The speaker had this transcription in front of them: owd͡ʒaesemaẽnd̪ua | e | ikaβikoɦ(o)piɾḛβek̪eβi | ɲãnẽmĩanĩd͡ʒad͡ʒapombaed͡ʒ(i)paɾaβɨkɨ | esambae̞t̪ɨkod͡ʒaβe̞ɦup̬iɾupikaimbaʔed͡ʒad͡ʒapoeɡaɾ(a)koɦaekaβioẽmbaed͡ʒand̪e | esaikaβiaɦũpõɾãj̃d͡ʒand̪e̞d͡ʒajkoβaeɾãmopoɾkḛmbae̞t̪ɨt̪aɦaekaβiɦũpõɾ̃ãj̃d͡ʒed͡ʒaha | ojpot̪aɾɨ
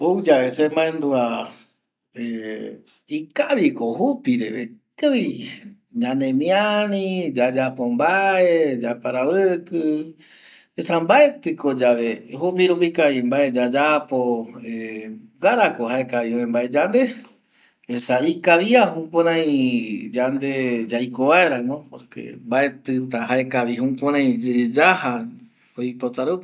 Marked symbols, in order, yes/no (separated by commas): no, no, yes